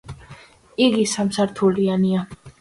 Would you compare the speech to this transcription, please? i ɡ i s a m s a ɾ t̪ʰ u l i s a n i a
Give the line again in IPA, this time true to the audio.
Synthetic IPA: i ɡ i s a m s a ɾ t̪ʰ u l i a n i a